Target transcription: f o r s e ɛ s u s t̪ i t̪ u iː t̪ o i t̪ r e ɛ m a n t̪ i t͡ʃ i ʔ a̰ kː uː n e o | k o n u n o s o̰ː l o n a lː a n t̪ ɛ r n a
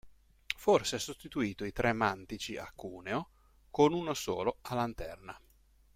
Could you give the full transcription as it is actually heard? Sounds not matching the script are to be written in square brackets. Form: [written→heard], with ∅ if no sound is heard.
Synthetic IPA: f o r s e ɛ s [u→o] s t̪ i t̪ u iː t̪ o i t̪ [r→ɾ] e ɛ m a n t̪ i t͡ʃ i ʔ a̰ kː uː n e o | k o n u n o s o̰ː l o [n→∅] a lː a n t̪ ɛ r n a